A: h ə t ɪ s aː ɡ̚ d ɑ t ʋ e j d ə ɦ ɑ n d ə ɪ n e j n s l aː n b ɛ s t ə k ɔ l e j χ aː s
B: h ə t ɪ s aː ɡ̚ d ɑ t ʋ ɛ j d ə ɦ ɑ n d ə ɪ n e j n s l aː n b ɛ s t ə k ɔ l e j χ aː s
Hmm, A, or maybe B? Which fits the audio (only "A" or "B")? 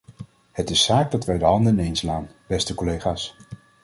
B